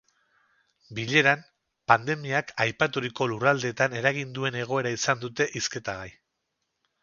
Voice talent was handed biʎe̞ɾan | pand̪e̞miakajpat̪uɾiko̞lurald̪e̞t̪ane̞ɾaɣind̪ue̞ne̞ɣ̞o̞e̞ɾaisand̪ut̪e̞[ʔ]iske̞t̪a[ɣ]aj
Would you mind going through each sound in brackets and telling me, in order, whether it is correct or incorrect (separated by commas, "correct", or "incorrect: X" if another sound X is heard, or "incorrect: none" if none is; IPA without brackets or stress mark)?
correct, correct